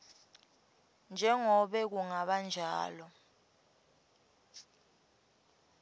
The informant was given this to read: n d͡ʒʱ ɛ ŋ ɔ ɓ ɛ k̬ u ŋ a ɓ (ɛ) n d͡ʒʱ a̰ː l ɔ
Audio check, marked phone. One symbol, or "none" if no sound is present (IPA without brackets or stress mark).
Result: a